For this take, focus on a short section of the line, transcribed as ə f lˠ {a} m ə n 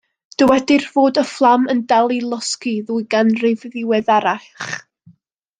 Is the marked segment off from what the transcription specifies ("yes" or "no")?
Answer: no